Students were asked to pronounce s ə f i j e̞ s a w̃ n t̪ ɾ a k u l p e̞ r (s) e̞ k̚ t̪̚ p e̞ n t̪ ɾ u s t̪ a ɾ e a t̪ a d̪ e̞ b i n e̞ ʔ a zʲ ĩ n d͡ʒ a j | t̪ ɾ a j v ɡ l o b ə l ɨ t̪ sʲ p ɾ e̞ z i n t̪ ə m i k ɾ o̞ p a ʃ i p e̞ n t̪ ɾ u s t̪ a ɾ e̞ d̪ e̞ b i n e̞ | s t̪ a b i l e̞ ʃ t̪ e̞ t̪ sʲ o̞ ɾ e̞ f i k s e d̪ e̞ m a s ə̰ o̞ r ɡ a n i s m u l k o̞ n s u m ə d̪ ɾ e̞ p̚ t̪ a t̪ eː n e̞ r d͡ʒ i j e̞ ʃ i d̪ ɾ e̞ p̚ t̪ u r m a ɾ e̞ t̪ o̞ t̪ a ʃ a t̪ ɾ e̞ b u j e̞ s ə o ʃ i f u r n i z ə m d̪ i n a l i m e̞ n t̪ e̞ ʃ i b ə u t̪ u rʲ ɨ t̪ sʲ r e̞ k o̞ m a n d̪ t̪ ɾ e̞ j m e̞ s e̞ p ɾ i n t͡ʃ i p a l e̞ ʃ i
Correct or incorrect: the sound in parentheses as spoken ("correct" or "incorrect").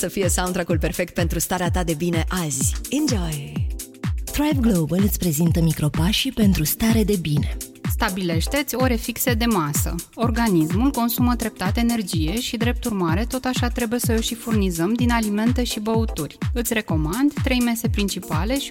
incorrect